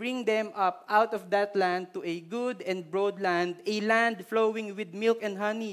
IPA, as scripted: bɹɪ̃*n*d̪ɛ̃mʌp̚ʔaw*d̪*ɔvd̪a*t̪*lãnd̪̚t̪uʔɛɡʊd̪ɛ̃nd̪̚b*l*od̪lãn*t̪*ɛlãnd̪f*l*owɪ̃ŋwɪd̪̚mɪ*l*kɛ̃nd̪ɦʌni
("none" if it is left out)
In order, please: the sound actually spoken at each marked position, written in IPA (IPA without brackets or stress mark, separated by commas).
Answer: ŋ, t̪, t̪, ɹ, d̪, l, l